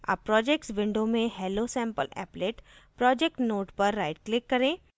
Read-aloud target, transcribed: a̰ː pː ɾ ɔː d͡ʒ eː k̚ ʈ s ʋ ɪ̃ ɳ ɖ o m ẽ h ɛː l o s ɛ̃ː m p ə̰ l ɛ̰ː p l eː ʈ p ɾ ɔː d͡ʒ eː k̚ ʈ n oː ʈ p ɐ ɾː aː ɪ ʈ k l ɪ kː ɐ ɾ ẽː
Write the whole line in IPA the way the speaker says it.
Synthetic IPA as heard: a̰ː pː ɾ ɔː d͡ʒ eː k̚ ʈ s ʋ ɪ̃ ɳ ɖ o m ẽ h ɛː l o s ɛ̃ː m p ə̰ l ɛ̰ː p l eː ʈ p ɾ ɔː d͡ʒ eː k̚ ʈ n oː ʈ p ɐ ɾː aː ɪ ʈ k l ɪ kː ɐ ɾ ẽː